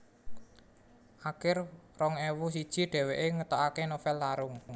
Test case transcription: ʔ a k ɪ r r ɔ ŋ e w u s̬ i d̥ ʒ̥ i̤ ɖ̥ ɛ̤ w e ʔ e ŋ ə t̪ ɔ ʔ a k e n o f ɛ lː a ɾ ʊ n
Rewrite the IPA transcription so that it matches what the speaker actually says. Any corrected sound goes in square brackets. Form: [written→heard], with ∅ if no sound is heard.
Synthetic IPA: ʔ a k ɪ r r ɔ ŋ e w u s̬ i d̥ ʒ̥ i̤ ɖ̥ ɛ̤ w e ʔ e ŋ ə t̪ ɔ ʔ a k e n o f ɛ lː a ɾ ʊ [n→ŋ]